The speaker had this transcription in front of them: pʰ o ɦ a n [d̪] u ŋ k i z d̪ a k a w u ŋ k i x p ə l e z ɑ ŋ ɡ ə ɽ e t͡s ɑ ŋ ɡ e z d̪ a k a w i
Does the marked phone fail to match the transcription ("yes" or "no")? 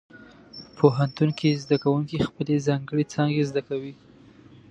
yes